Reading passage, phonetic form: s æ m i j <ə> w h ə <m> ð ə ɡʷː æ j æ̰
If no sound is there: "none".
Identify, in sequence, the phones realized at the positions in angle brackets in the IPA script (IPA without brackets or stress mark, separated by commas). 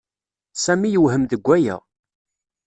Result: ə, m